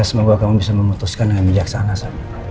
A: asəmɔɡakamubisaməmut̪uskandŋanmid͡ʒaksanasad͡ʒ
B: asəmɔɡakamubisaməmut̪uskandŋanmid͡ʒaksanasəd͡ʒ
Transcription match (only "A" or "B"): A